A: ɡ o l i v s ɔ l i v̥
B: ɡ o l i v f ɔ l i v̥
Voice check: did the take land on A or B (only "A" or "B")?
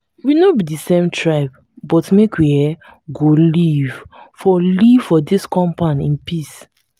B